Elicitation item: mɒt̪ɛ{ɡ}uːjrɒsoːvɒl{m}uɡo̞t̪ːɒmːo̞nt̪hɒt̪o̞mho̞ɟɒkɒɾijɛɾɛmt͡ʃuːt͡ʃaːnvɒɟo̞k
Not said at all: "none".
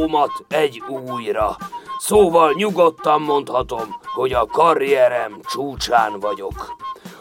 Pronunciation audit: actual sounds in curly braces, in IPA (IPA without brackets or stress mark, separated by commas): ɟ, ɲ